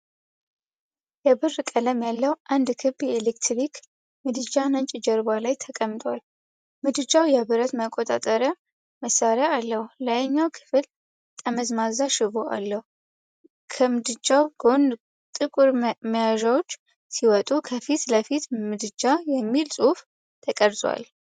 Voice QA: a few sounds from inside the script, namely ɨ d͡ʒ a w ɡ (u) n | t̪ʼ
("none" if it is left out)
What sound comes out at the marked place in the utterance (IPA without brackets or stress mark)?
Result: o